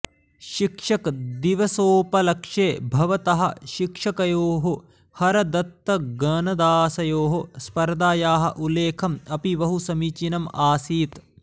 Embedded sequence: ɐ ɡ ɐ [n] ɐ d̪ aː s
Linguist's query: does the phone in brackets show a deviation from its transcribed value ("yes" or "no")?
no